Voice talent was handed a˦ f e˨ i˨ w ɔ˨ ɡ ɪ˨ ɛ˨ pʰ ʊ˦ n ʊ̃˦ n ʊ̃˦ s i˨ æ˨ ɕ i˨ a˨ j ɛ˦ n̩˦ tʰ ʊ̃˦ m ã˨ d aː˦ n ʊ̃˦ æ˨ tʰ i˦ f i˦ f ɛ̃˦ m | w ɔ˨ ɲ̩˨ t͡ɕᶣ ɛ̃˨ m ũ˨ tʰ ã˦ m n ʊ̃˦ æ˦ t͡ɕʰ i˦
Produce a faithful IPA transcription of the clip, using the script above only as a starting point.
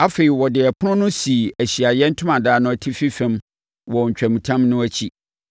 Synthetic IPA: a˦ f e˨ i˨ w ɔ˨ d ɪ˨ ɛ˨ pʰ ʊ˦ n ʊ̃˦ n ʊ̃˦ s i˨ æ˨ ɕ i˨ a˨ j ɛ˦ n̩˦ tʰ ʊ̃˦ m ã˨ d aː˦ n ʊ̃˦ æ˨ tʰ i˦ f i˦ f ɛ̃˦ m | w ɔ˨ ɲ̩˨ t͡ɕᶣ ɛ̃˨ m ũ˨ tʰ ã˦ m n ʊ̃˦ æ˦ t͡ɕʰ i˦